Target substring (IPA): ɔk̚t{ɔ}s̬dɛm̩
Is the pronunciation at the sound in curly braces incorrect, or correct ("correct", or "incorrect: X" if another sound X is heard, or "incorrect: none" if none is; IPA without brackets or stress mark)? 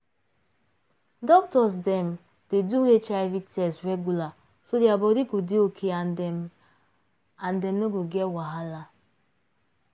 correct